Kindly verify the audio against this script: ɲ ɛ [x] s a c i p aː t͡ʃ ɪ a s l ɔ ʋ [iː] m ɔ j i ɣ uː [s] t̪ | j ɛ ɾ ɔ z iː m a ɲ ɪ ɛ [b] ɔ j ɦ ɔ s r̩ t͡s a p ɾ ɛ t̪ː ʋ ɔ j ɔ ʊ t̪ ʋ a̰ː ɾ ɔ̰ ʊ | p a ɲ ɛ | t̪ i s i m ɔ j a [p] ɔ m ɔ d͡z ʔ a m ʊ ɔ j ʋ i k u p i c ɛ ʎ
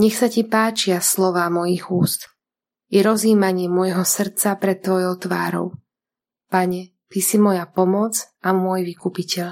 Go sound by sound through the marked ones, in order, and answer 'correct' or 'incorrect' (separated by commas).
correct, incorrect, correct, incorrect, correct